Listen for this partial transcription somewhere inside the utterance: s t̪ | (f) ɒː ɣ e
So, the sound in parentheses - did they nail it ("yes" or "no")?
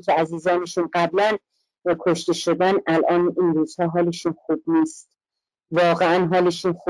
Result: no